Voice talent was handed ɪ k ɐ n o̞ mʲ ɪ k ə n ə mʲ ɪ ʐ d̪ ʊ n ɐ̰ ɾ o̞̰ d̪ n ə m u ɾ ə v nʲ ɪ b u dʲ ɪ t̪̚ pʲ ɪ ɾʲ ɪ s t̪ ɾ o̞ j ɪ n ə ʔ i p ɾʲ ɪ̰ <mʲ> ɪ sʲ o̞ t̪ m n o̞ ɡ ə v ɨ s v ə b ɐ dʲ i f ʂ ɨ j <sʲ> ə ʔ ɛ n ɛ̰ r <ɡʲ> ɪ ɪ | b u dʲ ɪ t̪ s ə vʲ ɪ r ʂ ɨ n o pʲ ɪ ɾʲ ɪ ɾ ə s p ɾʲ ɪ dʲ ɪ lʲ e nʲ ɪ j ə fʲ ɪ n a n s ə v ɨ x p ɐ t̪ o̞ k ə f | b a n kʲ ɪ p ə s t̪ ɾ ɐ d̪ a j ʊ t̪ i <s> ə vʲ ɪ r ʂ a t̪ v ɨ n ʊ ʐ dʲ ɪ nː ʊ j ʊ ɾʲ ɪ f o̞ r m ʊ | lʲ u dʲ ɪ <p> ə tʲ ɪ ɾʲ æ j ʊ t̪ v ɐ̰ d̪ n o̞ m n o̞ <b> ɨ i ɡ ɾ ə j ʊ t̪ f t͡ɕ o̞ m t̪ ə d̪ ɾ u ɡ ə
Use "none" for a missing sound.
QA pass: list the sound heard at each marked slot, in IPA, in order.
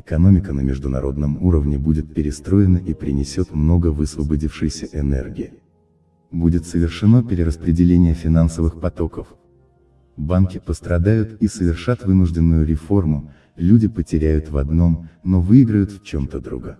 nʲ, sʲ, ɡʲ, s, p, v

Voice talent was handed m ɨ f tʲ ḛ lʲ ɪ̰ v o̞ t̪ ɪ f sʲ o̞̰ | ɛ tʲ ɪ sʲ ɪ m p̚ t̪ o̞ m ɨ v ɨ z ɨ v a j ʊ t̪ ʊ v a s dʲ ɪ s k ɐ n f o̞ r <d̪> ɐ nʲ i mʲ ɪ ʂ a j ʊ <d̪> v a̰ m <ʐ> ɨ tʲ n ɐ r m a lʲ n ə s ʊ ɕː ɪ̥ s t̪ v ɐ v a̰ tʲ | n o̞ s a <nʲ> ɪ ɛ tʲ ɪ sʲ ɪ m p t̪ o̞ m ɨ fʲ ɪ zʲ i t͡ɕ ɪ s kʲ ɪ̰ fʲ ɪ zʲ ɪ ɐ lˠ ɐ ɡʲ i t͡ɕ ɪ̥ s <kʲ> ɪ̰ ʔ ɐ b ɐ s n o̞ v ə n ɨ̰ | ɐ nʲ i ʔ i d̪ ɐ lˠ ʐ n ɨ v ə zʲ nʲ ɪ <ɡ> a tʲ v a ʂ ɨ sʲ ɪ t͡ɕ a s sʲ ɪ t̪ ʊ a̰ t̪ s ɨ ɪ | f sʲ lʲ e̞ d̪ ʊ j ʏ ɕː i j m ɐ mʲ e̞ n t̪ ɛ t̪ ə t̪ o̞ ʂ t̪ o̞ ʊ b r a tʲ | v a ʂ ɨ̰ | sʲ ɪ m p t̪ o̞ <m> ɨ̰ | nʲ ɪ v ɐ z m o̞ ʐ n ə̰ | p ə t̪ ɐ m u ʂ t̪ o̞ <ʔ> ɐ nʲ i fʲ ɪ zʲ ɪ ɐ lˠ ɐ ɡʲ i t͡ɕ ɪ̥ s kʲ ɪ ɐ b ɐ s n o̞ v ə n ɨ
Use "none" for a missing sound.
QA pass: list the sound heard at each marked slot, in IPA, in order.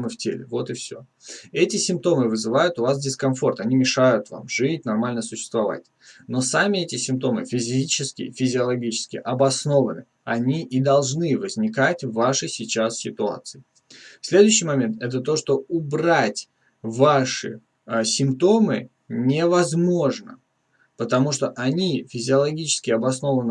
t̪, t̪, ʐ, mʲ, kʲ, k, m, ʔ

